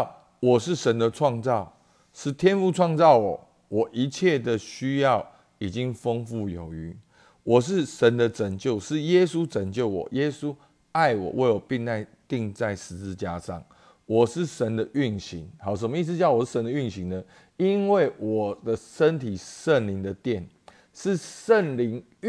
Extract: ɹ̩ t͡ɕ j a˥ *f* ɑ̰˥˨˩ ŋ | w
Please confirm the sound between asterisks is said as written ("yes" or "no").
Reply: no